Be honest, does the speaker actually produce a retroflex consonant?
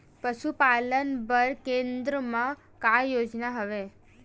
no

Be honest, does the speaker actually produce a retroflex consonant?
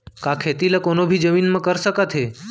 no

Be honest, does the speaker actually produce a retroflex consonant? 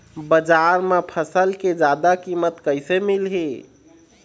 no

